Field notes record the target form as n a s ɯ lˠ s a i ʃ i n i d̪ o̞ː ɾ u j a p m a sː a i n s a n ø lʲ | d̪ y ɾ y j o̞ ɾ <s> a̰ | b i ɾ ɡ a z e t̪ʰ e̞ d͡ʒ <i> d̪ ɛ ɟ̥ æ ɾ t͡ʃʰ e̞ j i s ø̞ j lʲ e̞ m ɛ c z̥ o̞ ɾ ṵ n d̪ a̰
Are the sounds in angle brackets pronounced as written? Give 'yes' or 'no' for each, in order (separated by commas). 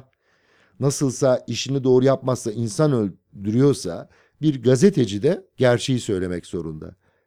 yes, yes